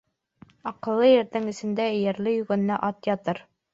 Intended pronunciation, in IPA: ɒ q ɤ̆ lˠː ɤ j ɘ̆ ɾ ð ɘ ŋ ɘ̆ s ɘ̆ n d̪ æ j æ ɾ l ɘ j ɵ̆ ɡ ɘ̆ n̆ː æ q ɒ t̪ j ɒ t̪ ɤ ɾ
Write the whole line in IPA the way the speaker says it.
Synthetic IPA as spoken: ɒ q ɤ̆ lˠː ɤ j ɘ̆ ɾ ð ɘ ŋ ɘ̆ s ɘ̆ n d̪ æ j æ ɾ l ɘ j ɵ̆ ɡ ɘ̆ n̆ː æ ʔ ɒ t̪ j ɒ t̪ ɤ ɾ